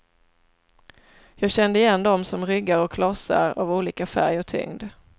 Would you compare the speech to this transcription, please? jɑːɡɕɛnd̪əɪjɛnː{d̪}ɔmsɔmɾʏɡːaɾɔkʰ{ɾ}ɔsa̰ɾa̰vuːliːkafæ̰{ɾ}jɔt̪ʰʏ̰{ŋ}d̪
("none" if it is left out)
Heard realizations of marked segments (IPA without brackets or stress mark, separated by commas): d̪, l, ɾ, ŋ